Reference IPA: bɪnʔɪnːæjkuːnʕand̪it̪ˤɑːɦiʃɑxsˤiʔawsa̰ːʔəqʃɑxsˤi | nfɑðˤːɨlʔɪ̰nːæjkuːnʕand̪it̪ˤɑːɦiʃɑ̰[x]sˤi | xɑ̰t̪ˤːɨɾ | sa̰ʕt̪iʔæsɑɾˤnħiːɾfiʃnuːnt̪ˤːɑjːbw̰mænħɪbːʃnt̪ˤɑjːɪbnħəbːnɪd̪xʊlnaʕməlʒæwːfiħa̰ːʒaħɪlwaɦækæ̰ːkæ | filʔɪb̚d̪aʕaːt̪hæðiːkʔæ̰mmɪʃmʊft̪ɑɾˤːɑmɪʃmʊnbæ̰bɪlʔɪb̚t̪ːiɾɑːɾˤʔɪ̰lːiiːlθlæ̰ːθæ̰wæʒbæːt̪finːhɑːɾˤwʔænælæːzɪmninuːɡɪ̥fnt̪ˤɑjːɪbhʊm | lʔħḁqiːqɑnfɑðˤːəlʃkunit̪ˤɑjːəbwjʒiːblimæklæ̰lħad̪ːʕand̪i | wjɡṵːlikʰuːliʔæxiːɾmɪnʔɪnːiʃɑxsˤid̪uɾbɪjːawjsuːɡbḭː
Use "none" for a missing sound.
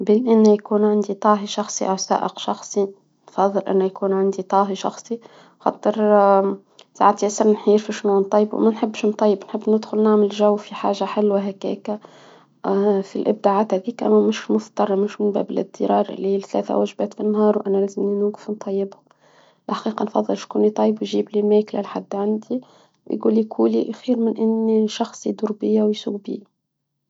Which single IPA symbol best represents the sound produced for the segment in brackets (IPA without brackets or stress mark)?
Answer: x